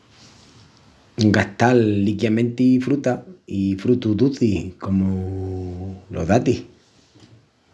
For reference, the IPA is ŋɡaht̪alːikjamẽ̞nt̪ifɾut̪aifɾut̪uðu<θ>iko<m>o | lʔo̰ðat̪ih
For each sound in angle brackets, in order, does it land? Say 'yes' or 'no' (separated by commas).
yes, yes